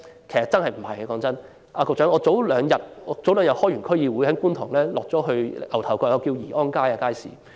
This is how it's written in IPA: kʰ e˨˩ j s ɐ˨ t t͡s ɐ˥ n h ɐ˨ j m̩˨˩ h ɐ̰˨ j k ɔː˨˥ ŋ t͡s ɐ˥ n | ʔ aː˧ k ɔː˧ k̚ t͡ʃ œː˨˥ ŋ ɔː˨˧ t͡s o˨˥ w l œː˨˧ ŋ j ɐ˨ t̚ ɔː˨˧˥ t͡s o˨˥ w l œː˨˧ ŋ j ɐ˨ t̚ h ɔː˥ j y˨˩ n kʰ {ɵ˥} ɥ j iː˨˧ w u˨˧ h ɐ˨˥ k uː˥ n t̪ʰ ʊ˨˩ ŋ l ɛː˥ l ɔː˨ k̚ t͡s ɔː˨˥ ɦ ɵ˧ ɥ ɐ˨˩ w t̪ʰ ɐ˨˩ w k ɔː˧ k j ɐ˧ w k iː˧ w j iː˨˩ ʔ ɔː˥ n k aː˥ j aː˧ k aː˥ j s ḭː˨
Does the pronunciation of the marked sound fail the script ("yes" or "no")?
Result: no